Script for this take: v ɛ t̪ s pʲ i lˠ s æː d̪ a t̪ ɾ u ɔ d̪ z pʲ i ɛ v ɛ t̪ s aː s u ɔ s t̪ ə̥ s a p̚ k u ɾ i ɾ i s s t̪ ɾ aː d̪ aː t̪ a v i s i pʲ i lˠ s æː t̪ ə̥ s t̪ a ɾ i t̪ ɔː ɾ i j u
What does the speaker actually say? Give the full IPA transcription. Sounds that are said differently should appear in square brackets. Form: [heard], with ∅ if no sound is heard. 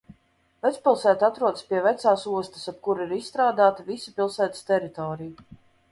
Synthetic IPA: v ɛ t̪ s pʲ i lˠ s æː [t̪] a t̪ ɾ u ɔ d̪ [s] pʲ i ɛ v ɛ t̪ s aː s u ɔ s t̪ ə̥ s a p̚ k u ɾ i ɾ i s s t̪ ɾ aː d̪ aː t̪ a v i s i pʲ i lˠ s æː t̪ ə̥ s t̪ [ɛ] ɾ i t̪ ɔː ɾ i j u